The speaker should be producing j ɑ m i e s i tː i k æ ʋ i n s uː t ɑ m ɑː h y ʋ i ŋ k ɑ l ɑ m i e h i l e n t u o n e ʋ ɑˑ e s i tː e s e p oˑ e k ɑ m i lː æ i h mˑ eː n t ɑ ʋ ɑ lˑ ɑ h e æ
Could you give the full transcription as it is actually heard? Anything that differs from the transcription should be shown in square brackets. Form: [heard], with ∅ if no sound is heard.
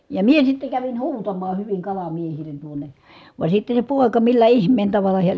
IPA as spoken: j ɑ m i e s i tː [e] k æ ʋ i n [h] uː t ɑ m ɑː h y ʋ i ŋ k ɑ l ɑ m i e h i l e n t u o n e ʋ ɑˑ e s i tː e s e p oˑ e k ɑ m i lː æ i h mˑ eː n t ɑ ʋ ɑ lˑ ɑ h e æ